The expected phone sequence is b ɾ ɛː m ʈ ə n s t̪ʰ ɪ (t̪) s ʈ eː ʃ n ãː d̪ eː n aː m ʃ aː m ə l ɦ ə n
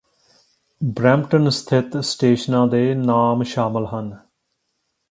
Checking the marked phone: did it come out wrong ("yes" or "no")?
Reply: no